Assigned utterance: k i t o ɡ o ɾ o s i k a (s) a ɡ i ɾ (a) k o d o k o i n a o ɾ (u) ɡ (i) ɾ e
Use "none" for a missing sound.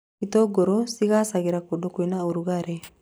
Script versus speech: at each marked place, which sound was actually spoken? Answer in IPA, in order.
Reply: s, a, u, a

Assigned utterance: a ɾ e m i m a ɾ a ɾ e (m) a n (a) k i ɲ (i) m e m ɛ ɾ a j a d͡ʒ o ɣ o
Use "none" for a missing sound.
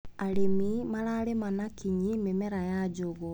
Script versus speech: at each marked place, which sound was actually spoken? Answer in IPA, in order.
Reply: m, a, i

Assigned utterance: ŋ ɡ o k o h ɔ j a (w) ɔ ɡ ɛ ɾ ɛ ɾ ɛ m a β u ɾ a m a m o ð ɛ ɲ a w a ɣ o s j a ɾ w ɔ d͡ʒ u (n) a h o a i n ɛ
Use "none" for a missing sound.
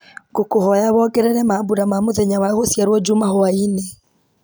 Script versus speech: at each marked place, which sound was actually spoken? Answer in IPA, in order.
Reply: β, m

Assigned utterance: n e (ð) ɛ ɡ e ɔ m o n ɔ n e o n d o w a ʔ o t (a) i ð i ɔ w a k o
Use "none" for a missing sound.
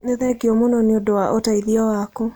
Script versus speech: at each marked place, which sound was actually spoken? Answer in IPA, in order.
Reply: ð, a

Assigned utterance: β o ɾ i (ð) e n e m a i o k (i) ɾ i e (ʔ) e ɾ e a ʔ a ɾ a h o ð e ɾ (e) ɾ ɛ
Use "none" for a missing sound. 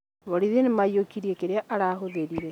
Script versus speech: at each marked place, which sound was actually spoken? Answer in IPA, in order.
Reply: ð, i, k, i

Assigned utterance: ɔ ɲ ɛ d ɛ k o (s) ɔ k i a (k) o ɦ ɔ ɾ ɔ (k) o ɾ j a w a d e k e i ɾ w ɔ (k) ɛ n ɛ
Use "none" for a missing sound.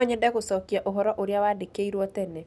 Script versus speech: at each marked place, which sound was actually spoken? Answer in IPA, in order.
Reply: s, ʔ, ʔ, t

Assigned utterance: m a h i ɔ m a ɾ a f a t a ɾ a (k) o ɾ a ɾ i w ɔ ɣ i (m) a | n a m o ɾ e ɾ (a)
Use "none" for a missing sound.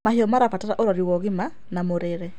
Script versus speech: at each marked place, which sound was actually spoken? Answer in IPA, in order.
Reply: ʔ, m, ɛ

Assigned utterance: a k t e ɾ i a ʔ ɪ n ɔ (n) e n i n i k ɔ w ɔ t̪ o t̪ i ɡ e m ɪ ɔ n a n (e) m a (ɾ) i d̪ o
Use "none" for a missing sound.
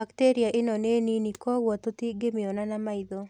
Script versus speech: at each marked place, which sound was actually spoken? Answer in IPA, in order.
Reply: n, a, none

